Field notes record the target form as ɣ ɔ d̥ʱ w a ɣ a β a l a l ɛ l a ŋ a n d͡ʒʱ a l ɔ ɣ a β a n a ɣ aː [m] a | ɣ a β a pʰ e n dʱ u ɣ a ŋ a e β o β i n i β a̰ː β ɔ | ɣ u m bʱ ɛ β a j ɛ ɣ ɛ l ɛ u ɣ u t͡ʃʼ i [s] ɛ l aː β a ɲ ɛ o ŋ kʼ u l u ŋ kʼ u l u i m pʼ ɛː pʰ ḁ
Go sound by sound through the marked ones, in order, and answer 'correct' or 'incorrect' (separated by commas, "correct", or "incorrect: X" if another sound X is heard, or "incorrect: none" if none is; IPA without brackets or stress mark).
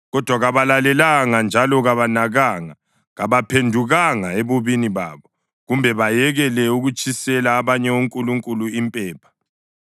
incorrect: ŋ, correct